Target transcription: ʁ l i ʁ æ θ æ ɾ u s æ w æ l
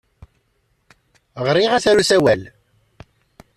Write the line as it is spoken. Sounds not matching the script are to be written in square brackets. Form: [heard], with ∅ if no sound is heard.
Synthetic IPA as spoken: ʁ [ɾ] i ʁ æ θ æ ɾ u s æ w æ l